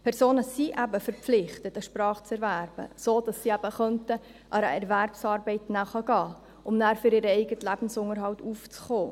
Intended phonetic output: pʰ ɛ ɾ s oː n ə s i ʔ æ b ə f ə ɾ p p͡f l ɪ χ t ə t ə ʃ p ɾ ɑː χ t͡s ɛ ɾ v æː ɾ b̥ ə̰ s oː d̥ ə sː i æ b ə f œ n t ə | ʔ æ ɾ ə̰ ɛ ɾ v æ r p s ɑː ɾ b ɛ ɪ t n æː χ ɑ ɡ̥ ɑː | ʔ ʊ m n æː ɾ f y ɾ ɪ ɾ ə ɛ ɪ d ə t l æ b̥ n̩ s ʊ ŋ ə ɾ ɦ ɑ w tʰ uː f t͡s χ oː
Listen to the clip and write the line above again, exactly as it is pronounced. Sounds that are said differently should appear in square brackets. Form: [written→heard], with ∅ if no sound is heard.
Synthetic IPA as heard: pʰ ɛ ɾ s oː n ə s i ʔ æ b ə f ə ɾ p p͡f l ɪ χ t ə t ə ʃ p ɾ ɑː χ t͡s ɛ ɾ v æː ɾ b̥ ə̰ s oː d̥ [ə→ɑ] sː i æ b ə [f→χ] œ n t ə | ʔ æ ɾ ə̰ ɛ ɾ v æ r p s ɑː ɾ b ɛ ɪ t n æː χ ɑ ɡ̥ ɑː | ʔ ʊ m n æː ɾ f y ɾ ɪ ɾ ə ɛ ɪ [d→ɡ] ə t l æ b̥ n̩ s ʊ ŋ ə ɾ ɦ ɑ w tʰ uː f t͡s χ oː

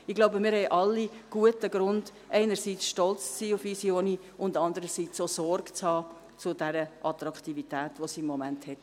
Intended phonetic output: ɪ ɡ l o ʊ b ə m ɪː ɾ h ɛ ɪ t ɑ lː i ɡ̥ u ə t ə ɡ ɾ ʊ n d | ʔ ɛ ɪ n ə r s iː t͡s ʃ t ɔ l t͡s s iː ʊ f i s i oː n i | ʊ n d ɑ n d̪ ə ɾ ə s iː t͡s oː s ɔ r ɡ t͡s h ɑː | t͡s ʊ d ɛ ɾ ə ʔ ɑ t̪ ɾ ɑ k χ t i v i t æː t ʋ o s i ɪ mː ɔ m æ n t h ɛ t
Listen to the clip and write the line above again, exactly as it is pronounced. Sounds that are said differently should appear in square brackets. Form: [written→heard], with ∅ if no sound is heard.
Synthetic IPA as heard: ɪ ɡ l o ʊ b ə m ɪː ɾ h ɛ ɪ [t→ʔ] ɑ lː i ɡ̥ u ə t ə ɡ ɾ ʊ n d | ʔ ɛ ɪ n ə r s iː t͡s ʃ t ɔ l t͡s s iː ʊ f i s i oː n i | ʊ n d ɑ n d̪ ə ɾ ə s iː t͡s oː s ɔ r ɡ t͡s h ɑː | t͡s ʊ d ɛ ɾ ə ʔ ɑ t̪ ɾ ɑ k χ t i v i t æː t ʋ o s i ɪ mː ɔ m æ n t h ɛ t

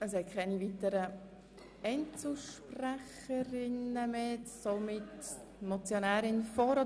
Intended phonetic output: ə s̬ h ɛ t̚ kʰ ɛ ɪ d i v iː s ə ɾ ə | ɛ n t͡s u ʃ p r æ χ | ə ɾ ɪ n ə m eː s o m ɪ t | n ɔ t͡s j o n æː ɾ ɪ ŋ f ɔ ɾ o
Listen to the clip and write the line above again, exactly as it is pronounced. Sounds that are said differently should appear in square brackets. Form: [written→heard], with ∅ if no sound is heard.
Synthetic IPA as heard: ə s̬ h ɛ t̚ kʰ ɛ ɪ [d→n] i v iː [s→t] ə ɾ ə | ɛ n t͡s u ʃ p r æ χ | ə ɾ ɪ n ə m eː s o m ɪ t | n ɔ t͡s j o n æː ɾ ɪ [ŋ→n] f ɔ ɾ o

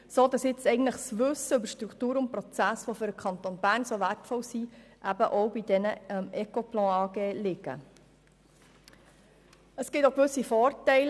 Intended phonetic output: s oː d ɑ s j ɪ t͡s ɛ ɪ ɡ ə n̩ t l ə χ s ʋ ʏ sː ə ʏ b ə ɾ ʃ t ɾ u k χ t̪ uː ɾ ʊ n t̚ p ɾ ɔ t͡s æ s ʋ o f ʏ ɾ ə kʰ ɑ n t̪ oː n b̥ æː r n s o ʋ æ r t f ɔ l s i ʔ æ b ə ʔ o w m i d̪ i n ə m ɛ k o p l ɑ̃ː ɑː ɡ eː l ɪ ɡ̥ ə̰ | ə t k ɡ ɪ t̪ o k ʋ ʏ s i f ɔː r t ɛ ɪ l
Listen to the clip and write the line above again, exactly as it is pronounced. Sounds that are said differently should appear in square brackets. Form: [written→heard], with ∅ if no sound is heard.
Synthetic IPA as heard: s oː d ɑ s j ɪ t͡s ɛ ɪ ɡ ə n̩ t l ə χ s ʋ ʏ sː ə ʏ b ə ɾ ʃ t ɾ u k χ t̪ uː ɾ ʊ n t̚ p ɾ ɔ t͡s æ s ʋ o f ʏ ɾ ə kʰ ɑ n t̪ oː n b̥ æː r n s o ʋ æ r t f ɔ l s i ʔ æ b ə ʔ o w [m→b] i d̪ [i→ɛ] n ə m ɛ k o p l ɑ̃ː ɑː ɡ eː l ɪ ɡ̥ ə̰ | ə [t→s] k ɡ ɪ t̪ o k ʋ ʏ s i f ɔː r t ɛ ɪ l

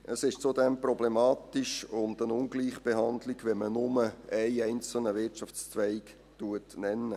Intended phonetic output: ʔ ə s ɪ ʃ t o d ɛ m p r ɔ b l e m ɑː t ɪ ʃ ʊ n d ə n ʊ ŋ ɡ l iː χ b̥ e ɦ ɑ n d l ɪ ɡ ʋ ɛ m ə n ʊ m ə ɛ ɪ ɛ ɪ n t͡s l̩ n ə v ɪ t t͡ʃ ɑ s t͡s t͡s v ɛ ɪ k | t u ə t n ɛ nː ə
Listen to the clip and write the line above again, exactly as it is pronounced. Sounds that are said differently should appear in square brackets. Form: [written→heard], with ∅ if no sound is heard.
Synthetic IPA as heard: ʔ ə s ɪ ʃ [t→t͡s] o d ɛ m p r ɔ b l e m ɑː t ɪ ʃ ʊ n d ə n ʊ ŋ ɡ l iː χ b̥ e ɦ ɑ n d l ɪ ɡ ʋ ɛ m ə n ʊ m ə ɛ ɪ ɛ ɪ n t͡s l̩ n ə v ɪ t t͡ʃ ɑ [s→f] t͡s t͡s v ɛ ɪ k | t u ə t n ɛ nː ə

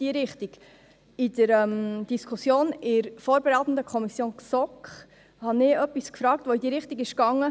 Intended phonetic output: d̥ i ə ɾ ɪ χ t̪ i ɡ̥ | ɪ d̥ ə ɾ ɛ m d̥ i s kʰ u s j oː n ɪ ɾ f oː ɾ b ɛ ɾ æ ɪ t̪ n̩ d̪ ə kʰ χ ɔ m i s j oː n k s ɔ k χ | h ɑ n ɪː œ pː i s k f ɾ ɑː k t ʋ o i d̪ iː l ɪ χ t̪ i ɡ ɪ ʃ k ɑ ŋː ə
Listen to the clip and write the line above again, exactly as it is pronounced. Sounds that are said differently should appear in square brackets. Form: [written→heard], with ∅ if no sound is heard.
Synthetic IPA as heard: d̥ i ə ɾ ɪ χ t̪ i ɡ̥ | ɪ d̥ ə ɾ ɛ m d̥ i s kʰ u s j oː n ɪ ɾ f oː ɾ b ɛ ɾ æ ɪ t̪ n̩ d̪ ə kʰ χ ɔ m i s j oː n k s ɔ k χ | h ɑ n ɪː œ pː i s k f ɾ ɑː k t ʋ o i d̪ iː [l→ɾ] ɪ χ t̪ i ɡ ɪ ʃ k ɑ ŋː ə

